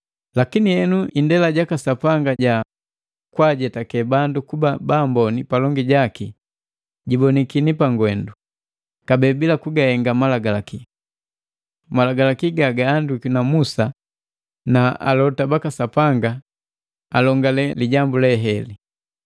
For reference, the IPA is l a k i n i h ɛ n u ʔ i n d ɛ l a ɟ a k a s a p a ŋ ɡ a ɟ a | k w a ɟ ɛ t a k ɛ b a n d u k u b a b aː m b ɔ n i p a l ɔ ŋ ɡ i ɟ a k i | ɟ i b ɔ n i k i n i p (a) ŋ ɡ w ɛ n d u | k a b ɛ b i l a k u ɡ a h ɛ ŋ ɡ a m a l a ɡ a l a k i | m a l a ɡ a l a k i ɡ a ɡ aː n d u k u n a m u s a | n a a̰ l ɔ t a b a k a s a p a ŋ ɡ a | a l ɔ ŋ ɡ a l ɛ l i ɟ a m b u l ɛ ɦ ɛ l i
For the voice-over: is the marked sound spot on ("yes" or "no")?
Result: yes